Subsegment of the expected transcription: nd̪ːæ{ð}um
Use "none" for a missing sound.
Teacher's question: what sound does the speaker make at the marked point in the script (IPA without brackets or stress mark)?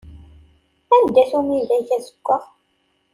θ